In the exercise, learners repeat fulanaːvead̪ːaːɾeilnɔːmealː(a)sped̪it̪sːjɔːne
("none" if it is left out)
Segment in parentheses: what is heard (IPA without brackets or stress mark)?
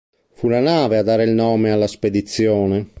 a